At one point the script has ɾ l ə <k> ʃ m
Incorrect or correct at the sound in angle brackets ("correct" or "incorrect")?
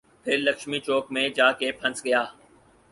correct